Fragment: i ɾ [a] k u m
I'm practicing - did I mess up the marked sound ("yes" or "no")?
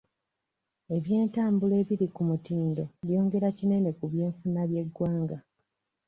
yes